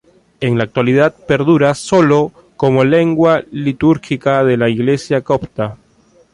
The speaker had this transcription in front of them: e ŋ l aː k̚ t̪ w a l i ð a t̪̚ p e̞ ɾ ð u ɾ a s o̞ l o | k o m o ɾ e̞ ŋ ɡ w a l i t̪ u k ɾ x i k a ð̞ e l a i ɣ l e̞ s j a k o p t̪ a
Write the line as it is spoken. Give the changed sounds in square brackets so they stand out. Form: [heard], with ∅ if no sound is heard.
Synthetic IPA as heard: e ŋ l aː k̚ t̪ w a l i ð a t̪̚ p e̞ ɾ ð u ɾ a s o̞ l o | k o m o [l] e̞ ŋ ɡ w a l i t̪ u [∅] ɾ x i k a ð̞ e l a i ɣ l e̞ s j a k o p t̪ a